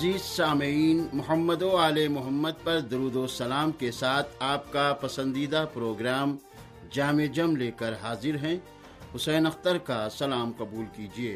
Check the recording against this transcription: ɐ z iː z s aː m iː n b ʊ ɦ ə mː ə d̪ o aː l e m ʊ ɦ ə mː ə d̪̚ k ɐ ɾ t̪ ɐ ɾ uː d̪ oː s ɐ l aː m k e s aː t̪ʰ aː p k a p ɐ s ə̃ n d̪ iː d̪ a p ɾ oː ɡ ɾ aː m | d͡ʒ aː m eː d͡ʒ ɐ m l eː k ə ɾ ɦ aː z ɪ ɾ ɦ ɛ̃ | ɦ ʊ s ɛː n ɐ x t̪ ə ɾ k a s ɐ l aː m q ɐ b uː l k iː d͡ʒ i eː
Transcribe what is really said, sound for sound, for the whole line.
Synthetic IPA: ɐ z iː z s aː m iː n m ʊ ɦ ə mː ə d̪ o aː l e m ʊ ɦ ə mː ə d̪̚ p ɐ ɾ d̪ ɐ ɾ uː d̪ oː s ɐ l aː m k e s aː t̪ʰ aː p k a p ɐ s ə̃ n d̪ iː d̪ a p ɾ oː ɡ ɾ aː m | d͡ʒ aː m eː d͡ʒ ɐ m l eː k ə ɾ ɦ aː z ɪ ɾ ɦ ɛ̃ | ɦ ʊ s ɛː n ɐ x t̪ ə ɾ k a s ɐ l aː m q ɐ b uː l k iː d͡ʒ i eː